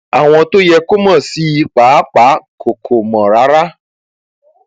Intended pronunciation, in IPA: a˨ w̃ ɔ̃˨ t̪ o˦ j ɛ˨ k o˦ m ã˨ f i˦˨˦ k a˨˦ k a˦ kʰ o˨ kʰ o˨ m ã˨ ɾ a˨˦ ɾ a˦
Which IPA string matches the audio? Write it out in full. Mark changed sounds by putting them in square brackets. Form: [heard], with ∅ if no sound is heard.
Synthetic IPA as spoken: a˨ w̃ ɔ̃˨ t̪ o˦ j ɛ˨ k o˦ m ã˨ [s] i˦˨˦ [k͡p] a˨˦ [k͡p] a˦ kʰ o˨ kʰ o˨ m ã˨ ɾ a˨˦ ɾ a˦